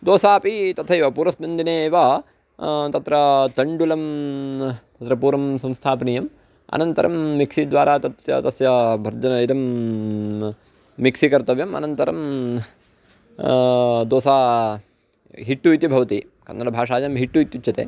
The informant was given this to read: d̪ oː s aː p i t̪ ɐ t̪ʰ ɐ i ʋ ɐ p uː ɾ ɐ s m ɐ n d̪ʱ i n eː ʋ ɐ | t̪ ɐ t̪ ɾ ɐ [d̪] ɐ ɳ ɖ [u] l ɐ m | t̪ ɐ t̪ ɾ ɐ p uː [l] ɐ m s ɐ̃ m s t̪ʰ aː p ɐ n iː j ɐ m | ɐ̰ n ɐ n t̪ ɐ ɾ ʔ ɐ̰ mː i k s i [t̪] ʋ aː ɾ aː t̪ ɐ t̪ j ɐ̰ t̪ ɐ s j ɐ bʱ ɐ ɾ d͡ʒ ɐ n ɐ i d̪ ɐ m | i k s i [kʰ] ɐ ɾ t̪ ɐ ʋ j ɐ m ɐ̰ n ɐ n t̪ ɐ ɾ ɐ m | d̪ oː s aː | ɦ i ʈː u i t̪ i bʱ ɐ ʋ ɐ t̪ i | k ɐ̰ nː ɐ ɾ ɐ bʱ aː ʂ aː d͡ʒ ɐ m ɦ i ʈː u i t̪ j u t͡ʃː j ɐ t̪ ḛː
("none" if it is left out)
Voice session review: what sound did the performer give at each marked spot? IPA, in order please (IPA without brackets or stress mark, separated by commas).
t̪, u, ɾ, d̪, k